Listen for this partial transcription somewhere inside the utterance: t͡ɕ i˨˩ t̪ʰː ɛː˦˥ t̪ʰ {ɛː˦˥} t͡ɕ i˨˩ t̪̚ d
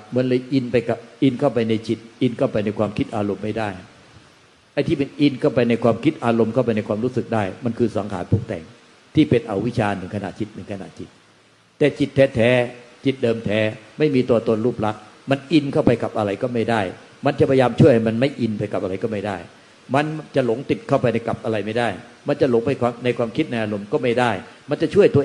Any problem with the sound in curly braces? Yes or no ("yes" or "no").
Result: no